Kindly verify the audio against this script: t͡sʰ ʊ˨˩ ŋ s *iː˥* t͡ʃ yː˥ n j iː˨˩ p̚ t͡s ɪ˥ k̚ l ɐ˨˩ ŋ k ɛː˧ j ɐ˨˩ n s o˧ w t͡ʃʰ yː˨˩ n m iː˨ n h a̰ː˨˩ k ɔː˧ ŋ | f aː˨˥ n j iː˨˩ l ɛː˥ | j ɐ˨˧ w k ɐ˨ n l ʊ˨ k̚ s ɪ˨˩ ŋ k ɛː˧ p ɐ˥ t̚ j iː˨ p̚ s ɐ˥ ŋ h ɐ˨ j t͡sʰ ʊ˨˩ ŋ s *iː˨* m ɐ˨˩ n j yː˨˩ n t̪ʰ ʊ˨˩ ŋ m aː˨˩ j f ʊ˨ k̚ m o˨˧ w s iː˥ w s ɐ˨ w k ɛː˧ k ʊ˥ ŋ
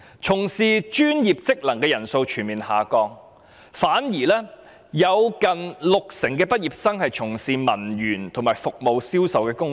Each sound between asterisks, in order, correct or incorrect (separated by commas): incorrect, correct